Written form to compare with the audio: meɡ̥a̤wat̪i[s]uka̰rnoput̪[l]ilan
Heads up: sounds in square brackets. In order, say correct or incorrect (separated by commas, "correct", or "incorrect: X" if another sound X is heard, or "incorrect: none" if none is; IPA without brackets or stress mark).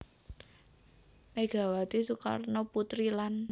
correct, incorrect: ɾ